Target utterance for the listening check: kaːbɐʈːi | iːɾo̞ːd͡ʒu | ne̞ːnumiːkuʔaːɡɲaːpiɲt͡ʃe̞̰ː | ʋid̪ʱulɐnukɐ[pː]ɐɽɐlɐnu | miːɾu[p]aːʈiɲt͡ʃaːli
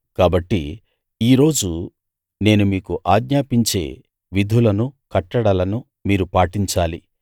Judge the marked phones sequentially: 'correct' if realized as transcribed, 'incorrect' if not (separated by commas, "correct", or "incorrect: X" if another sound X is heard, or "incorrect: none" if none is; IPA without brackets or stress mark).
incorrect: ʈː, correct